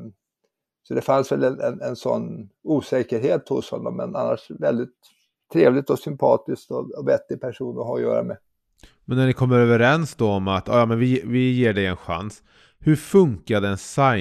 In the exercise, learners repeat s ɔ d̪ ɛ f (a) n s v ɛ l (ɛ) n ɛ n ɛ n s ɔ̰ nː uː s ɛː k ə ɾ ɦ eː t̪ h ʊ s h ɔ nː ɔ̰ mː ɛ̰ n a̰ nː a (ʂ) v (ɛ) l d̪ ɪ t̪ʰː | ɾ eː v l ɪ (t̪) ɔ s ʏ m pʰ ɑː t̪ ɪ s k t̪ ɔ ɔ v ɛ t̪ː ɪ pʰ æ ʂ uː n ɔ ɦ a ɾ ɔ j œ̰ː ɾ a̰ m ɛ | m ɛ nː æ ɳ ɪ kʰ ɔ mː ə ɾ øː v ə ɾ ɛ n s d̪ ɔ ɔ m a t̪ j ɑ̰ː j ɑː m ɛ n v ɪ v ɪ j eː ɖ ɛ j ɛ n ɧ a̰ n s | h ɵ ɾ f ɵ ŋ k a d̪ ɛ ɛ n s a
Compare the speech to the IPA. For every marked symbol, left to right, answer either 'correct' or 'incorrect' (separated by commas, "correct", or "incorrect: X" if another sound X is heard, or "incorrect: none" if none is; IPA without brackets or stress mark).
correct, correct, correct, correct, correct